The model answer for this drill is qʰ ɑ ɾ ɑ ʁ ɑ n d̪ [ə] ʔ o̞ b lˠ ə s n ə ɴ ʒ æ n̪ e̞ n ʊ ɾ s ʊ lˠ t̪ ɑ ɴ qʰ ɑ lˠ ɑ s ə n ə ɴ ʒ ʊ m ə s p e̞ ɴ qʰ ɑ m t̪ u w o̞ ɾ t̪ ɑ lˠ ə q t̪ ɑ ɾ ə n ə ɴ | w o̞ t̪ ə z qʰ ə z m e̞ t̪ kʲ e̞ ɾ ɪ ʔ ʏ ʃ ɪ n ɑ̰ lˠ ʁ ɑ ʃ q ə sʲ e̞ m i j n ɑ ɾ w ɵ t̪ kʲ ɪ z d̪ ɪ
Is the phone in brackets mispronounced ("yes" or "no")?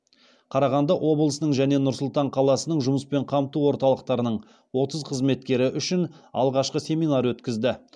yes